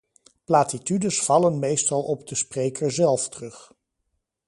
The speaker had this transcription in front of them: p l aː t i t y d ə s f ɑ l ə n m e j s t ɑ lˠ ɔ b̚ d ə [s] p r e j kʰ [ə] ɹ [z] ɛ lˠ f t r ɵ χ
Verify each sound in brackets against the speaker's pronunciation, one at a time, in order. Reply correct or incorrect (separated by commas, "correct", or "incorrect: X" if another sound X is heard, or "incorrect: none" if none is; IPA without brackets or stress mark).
correct, correct, correct